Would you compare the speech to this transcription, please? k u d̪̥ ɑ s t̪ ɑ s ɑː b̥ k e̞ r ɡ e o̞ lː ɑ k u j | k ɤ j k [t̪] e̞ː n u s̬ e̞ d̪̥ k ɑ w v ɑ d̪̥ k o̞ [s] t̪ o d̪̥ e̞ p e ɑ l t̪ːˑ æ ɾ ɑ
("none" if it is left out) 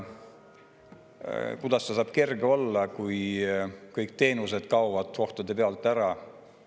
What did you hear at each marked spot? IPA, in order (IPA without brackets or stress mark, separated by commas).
t̪, h